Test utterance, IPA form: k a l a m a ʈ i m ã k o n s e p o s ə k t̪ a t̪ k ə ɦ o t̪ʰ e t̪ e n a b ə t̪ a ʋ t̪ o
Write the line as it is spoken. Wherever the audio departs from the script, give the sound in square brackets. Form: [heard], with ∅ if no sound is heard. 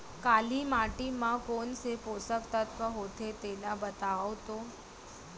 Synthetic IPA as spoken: k a l [i] m a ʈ i m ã k o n s e p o s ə k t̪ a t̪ k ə ɦ o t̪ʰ e t̪ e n a b ə t̪ a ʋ t̪ o